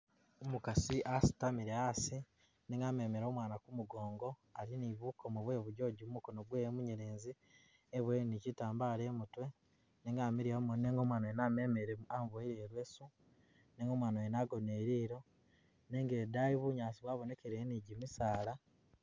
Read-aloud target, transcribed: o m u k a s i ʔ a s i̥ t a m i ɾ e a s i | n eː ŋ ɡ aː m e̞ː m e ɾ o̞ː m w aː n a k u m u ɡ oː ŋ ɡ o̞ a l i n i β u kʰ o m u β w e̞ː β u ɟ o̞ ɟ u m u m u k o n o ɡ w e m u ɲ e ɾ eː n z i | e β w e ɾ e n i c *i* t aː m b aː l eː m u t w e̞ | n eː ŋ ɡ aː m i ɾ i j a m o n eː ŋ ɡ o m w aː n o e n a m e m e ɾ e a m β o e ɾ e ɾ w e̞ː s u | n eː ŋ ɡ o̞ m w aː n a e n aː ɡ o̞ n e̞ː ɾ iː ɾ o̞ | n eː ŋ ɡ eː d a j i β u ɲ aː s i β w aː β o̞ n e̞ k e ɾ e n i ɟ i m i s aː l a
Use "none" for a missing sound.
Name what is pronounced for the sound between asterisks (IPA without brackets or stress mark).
i